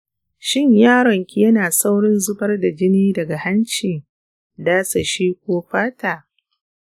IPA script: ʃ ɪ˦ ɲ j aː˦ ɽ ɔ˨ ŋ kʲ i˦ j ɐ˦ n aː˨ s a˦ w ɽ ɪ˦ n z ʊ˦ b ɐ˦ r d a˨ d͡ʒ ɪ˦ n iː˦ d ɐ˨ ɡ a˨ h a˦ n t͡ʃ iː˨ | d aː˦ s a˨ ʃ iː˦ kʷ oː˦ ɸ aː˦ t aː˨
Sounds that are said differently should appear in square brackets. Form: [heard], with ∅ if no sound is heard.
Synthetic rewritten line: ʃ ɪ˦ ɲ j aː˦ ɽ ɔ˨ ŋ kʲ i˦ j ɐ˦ n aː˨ s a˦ w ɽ ɪ˦ n z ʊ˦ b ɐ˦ r d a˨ d͡ʒ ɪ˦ n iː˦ d ɐ˨ ɡ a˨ h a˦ n t͡ʃ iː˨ | d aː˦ s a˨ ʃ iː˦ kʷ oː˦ ɸ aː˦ t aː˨